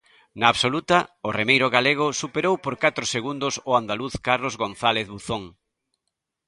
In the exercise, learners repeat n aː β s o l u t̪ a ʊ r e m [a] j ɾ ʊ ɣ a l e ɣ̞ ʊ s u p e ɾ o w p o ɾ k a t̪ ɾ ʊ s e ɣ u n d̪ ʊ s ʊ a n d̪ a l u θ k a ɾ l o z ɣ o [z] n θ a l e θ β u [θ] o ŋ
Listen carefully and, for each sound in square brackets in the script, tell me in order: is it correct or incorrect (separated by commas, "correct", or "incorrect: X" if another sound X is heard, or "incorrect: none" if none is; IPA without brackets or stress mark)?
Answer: incorrect: e, incorrect: none, correct